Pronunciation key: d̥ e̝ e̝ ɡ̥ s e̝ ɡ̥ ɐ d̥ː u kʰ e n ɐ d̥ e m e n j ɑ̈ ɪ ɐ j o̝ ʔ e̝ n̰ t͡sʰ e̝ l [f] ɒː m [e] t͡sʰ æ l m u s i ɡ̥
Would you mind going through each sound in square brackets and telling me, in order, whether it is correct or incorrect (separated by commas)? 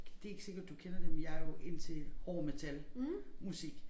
incorrect, correct